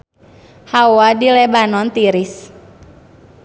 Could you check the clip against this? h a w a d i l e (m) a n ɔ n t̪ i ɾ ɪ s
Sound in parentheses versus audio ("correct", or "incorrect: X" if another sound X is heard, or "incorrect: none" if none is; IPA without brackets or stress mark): incorrect: b